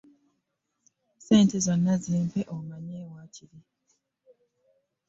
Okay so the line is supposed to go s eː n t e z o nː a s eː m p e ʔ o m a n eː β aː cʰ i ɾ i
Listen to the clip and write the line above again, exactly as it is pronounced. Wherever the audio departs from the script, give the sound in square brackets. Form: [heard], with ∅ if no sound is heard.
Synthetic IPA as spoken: s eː n t e z o nː a [z] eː m p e ʔ o m a [ɲ] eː [w] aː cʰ i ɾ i